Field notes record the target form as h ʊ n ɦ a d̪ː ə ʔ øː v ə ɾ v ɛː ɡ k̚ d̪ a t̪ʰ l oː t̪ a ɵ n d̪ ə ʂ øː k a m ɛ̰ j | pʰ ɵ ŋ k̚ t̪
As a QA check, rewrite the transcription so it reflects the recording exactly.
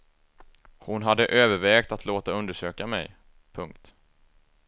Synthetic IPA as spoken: h ʊ n ɦ a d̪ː ə ʔ øː v ə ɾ v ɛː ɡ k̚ t̪ a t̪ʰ l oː t̪ a ɵ n d̪ ə ʂ øː k a m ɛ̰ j | pʰ ɵ ŋ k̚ t̪